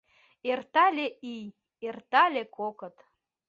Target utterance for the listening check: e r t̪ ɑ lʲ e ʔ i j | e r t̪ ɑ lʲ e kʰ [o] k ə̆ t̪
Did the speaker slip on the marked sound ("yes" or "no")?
no